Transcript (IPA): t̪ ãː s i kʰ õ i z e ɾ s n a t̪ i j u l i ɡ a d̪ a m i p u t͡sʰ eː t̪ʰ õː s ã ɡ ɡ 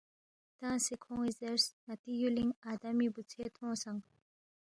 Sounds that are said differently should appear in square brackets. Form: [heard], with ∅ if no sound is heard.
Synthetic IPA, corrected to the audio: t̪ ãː s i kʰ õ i z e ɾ s n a t̪ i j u l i [ŋ] a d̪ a m i [b] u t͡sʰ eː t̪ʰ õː s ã [ŋ] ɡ